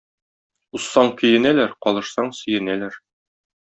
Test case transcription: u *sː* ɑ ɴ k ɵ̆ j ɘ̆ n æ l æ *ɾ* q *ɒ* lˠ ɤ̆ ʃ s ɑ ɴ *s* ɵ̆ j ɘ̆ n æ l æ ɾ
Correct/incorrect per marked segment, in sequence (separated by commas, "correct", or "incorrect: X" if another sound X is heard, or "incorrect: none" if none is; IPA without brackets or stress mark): correct, correct, correct, correct